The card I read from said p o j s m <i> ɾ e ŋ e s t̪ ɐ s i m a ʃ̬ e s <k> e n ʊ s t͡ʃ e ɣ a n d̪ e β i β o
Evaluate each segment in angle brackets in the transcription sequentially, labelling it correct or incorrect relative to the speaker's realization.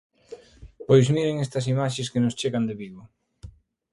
correct, correct

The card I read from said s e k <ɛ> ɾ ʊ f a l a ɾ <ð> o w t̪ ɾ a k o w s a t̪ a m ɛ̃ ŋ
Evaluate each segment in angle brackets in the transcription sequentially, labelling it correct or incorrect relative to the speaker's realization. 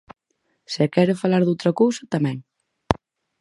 correct, correct

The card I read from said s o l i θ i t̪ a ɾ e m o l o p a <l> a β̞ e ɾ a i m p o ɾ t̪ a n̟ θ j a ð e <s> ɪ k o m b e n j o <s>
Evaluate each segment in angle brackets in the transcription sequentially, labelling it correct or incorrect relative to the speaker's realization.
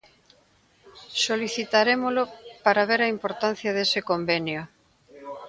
incorrect: ɾ, correct, incorrect: none

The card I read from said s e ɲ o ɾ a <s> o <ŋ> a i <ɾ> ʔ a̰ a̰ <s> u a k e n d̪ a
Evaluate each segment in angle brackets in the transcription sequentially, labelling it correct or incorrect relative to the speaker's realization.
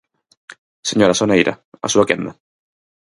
correct, incorrect: n, correct, correct

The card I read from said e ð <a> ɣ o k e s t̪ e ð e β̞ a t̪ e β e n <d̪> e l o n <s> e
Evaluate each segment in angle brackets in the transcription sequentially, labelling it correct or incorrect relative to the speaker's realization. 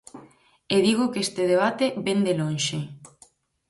incorrect: i, correct, incorrect: ʃ

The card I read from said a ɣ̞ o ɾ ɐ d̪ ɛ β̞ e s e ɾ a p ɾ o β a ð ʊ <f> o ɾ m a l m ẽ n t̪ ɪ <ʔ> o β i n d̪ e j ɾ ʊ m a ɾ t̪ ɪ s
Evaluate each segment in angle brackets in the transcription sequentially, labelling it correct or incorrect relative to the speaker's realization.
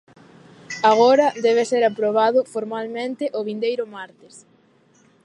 correct, correct

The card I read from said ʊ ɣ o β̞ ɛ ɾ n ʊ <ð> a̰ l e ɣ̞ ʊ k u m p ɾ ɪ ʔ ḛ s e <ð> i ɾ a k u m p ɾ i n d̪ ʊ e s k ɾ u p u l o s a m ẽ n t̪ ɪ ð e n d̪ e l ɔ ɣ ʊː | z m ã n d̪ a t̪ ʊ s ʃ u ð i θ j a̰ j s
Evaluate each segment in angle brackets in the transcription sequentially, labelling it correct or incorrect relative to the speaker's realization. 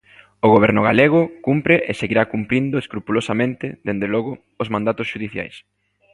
incorrect: ɣ, incorrect: ɣ

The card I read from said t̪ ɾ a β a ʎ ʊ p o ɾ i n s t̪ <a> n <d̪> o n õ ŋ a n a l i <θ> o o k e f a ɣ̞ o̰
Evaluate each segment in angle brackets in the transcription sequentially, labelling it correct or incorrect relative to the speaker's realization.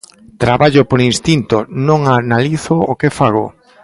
incorrect: i, incorrect: t̪, correct

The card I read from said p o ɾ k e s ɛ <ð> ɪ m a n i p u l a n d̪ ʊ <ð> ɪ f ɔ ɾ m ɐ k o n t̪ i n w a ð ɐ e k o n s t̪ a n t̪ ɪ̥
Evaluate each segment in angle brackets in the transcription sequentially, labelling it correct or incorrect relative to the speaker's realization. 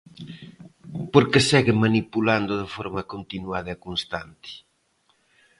incorrect: ɣ, correct

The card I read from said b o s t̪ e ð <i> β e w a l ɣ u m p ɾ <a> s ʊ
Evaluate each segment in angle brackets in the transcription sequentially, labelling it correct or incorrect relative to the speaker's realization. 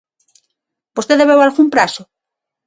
incorrect: e, correct

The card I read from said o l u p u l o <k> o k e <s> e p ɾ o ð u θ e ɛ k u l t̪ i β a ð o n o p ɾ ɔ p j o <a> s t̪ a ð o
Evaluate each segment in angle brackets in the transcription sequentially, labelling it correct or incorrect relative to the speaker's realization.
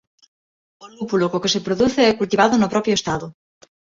correct, correct, incorrect: e

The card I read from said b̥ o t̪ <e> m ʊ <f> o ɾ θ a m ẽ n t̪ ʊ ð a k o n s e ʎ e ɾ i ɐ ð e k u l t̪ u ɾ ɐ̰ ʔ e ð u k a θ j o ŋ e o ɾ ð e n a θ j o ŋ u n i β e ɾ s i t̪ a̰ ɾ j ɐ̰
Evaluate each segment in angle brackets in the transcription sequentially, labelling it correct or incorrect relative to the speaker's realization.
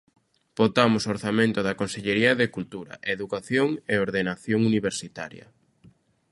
incorrect: a, incorrect: s

